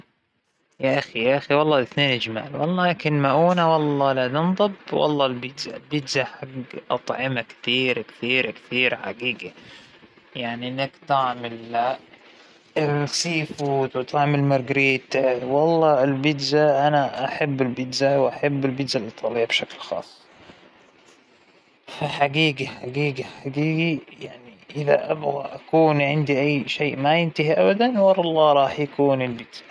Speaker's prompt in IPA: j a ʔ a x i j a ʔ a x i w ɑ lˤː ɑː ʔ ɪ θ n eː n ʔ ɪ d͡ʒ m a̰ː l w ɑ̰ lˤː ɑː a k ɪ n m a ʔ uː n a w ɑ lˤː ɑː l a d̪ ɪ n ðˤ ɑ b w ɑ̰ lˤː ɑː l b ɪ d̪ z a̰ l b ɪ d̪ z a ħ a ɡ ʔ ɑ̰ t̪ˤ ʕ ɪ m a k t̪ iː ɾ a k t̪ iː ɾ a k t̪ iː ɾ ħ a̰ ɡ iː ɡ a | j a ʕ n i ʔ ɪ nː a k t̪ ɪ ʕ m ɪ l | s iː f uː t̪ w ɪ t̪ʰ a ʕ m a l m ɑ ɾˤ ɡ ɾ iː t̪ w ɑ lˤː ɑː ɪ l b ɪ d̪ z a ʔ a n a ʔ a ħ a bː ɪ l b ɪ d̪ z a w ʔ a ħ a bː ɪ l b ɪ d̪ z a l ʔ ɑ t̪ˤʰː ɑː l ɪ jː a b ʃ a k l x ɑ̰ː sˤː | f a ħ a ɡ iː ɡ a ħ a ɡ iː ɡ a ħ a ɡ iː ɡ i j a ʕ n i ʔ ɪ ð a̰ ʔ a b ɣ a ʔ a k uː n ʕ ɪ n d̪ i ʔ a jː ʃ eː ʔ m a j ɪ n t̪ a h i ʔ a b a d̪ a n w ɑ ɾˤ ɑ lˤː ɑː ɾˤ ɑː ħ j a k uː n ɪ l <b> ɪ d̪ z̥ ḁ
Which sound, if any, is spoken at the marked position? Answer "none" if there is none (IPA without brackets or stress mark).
b